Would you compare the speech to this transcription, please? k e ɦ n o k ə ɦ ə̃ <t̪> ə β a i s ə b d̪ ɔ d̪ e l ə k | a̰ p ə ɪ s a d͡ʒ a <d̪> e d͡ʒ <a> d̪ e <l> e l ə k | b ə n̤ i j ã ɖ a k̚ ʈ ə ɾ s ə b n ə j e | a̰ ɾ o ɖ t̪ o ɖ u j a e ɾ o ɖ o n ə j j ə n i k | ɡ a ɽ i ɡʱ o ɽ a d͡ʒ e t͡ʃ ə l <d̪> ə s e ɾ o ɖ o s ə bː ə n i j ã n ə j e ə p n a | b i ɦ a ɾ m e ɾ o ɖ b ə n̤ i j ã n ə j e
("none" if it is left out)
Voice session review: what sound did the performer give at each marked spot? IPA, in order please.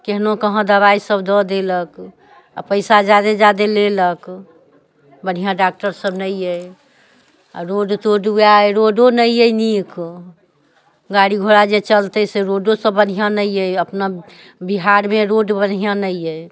d̪, d̪, a, l, t̪

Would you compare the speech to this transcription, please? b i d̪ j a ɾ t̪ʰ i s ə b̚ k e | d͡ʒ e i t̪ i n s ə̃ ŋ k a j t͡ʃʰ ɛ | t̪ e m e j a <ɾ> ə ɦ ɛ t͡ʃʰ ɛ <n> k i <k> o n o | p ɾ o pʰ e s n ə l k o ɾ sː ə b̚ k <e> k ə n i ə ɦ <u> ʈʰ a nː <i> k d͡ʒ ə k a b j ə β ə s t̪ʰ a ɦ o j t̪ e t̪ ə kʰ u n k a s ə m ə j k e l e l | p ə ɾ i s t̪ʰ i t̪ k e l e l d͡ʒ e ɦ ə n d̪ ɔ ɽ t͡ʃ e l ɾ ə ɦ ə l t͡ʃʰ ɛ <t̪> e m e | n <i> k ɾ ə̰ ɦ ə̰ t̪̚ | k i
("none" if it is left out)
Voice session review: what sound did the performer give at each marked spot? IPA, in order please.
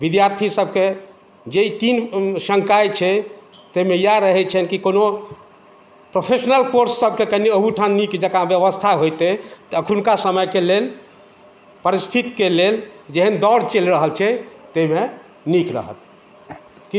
ɾ, n, k, e, u, i, t̪, i

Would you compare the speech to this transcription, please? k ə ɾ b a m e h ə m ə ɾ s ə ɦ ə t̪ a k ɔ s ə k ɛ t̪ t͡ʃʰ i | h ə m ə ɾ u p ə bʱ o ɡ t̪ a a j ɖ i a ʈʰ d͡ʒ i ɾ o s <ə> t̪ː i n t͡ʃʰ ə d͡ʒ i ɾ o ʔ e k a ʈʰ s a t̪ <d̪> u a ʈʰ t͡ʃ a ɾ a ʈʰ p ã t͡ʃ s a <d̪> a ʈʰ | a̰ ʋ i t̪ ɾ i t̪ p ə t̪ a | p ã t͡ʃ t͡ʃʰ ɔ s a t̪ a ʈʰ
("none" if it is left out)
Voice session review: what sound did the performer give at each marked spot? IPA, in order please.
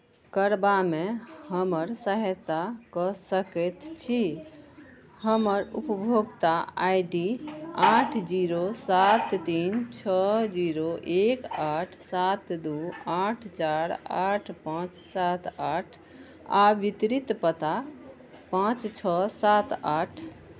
a, d̪, t̪

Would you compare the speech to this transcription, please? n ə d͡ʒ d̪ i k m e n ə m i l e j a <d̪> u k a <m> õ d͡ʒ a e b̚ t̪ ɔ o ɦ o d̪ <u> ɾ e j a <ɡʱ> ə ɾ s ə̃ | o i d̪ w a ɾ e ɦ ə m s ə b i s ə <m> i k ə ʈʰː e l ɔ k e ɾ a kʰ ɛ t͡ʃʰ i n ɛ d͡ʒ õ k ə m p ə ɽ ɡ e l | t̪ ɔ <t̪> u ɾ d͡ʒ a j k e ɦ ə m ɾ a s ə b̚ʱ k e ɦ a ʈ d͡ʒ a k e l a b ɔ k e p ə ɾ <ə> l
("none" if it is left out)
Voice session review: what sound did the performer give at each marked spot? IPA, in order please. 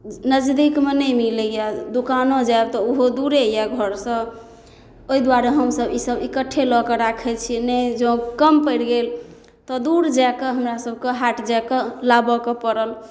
d̪, n, u, ɡʱ, b, d̪, ə

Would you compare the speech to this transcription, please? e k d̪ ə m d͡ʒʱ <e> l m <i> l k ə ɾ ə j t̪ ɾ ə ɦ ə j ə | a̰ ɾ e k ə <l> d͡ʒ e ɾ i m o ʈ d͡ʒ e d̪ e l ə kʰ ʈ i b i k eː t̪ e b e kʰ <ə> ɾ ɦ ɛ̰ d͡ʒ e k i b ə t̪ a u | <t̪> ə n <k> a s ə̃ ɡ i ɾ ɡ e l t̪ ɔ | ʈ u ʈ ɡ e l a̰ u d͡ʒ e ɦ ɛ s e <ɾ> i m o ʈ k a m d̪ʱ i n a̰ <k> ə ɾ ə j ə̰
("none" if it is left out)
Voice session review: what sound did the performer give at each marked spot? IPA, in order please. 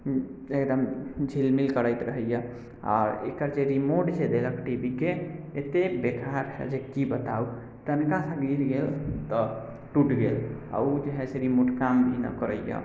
i, i, ɾ, a, t̪, k, ɾ, k

